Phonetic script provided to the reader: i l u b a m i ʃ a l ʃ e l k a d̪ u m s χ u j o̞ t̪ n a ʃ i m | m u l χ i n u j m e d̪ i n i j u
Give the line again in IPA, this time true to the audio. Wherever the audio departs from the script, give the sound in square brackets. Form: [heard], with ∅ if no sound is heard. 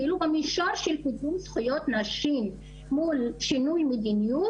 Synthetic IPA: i l u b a m i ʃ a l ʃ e l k [i] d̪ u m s χ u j o̞ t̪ n a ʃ i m | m u l [ʃ] i n u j m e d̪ i n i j u